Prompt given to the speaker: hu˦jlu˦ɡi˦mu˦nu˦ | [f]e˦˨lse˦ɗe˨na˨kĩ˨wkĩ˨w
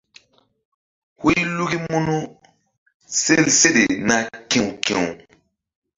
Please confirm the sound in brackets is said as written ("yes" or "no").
no